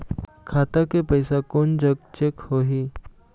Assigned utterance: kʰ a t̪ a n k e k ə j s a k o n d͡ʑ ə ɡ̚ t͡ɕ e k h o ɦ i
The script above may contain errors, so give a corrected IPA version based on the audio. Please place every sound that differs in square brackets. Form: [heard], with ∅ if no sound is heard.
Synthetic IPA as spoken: kʰ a t̪ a [∅] k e [p] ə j s a k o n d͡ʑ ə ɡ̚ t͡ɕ e k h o ɦ i